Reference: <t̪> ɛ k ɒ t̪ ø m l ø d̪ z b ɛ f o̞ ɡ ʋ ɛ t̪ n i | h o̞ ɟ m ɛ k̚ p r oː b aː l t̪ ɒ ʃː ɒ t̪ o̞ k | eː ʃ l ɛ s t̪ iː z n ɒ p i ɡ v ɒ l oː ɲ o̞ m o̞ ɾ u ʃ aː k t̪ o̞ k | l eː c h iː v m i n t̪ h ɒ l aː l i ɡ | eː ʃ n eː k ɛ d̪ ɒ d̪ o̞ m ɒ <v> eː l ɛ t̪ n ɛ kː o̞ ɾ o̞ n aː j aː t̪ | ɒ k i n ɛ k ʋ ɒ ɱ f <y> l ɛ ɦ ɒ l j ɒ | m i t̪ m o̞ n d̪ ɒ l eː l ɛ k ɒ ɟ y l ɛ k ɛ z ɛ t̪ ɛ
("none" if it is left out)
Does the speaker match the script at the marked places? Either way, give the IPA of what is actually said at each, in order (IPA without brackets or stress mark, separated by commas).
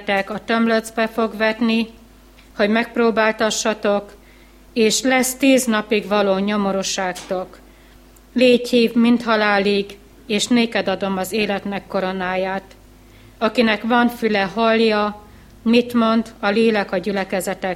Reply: t̪, z, y